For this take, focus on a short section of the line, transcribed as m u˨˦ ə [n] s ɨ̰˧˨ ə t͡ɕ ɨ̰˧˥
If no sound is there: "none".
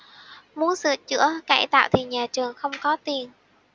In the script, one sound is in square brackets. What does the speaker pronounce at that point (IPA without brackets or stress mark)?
n